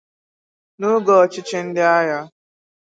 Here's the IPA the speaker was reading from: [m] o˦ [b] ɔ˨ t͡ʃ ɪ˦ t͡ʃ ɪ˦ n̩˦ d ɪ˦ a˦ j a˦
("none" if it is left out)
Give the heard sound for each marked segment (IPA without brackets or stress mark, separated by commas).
n, ɡ